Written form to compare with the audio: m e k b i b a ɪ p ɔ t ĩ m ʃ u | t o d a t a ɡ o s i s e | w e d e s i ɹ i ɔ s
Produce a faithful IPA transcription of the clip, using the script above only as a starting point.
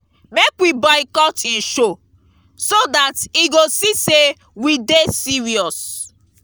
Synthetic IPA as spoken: m e k w i b a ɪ k ɔ t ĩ n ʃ o | s o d a t i ɡ o s i s e | w i d e s i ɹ i ɔ s